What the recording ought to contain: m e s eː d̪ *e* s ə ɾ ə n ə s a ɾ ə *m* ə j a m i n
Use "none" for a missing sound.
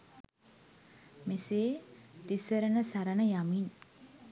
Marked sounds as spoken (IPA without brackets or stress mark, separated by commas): i, n